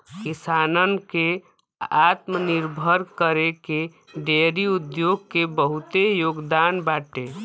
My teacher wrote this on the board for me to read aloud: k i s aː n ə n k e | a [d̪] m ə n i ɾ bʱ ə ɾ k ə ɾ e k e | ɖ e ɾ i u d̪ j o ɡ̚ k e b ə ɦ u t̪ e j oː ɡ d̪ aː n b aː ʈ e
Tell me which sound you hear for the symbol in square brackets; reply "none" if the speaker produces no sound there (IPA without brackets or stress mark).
t̪